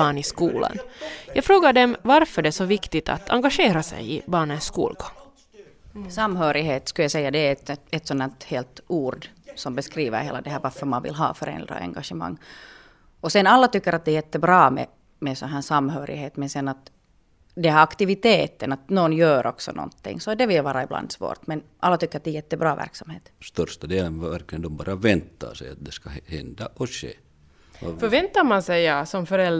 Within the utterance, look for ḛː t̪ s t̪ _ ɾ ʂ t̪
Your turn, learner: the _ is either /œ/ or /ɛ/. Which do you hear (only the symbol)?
œ